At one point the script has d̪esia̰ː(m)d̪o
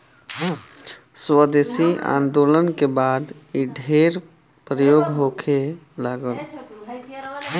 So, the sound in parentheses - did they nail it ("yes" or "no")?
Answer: no